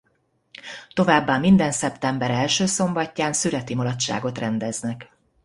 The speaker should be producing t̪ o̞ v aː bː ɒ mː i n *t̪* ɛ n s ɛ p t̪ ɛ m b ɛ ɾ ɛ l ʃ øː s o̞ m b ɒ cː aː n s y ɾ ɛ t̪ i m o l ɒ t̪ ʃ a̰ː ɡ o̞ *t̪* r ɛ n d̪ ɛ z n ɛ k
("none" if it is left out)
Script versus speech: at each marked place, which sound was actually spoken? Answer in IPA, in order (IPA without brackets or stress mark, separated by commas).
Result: d̪, t̪